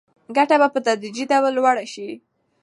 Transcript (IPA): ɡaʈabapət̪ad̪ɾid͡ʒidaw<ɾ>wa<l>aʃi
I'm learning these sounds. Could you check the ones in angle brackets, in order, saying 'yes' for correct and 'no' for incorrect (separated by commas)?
no, no